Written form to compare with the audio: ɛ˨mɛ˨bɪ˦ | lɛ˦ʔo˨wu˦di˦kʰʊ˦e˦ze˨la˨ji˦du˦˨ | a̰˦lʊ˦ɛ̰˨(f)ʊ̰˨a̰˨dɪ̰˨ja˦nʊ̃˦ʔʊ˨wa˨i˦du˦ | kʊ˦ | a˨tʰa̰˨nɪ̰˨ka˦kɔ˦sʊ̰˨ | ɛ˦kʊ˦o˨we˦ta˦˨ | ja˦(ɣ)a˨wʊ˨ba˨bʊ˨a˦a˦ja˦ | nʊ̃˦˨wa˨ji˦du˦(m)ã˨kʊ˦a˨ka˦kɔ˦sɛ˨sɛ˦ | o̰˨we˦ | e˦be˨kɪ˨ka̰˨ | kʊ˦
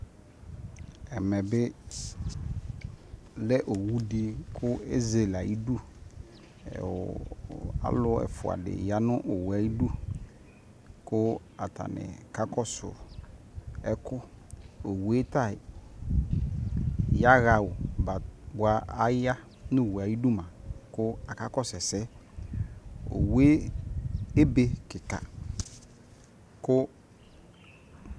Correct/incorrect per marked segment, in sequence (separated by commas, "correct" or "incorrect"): correct, correct, correct